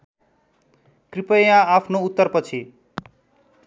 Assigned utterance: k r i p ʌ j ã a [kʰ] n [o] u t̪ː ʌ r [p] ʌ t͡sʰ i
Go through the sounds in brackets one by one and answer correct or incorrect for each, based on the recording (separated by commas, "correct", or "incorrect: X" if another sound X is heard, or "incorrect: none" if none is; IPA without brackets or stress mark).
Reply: incorrect: pʰ, correct, correct